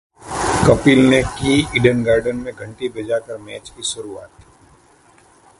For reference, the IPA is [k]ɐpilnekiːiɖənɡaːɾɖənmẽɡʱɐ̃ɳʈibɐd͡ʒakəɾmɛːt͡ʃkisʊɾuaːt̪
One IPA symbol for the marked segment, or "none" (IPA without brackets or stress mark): k